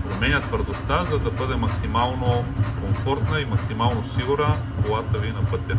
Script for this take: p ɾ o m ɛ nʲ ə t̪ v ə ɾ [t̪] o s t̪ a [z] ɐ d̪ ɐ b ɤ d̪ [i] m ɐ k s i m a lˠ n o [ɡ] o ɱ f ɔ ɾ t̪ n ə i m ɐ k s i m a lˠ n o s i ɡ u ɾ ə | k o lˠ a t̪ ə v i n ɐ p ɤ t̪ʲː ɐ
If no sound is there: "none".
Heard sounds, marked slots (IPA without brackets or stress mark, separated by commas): d̪, z, ɛ, k